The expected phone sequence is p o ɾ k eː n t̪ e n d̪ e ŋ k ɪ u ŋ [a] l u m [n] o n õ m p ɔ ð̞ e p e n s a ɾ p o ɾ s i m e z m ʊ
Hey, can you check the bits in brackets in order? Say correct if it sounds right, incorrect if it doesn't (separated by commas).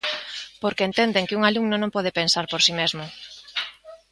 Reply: correct, correct